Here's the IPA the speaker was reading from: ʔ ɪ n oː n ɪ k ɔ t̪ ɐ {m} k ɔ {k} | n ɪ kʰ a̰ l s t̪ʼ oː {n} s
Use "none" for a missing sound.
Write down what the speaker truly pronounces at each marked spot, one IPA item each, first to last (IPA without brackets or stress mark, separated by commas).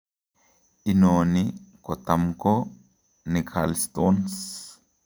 m, none, n